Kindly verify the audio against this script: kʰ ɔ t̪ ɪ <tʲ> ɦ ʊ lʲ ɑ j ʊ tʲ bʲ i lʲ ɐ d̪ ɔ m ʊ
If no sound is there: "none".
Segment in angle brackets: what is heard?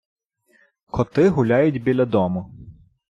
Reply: none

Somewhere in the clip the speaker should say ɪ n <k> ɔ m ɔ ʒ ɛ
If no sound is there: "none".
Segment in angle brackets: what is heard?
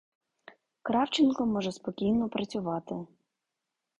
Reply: k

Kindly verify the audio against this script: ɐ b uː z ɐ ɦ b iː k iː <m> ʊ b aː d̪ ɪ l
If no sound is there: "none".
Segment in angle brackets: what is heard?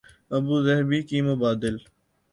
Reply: m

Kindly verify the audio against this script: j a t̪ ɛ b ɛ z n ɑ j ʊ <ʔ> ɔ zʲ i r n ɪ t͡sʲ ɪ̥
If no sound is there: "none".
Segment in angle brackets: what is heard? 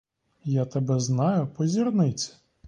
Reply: p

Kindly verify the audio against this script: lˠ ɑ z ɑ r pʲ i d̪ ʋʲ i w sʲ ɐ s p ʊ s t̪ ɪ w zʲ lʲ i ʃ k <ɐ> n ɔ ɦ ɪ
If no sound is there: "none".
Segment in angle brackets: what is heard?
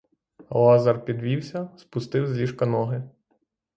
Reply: ɐ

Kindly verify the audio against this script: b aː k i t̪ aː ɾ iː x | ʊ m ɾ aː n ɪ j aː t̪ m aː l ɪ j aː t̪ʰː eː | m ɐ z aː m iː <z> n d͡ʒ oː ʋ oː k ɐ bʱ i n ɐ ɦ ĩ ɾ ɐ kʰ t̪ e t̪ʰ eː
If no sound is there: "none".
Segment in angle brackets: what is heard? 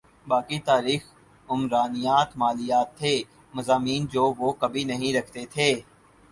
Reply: none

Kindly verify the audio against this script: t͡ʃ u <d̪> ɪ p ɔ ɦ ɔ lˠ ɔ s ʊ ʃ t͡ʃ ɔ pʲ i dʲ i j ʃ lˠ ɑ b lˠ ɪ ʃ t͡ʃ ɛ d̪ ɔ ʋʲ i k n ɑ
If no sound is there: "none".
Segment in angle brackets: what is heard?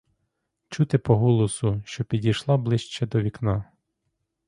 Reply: t̪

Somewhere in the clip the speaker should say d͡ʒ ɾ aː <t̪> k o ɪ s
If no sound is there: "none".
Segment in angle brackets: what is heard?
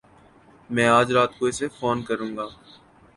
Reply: t̪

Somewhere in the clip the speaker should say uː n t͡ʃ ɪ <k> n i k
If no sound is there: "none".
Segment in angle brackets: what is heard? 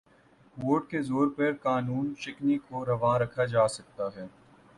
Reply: k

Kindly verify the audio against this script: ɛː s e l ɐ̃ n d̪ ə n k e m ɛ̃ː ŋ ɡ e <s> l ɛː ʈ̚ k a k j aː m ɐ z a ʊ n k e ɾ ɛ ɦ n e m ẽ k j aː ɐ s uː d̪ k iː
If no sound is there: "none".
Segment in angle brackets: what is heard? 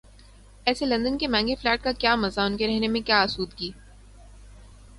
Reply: f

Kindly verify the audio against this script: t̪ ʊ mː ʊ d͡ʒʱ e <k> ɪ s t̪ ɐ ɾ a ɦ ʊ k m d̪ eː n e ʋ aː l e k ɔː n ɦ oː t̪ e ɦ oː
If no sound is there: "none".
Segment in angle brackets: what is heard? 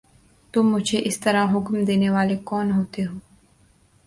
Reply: ʔ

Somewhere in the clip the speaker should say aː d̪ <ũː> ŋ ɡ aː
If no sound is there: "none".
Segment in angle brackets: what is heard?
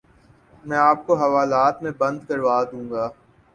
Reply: ũː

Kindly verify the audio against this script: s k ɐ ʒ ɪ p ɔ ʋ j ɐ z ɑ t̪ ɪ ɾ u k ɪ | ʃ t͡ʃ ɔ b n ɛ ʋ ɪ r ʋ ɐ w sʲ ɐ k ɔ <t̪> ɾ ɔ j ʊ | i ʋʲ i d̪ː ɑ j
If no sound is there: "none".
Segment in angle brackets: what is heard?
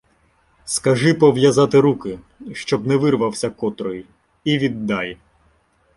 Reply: t̪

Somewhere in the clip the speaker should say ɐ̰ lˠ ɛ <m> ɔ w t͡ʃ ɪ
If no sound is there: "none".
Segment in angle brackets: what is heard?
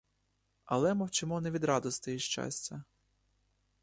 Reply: m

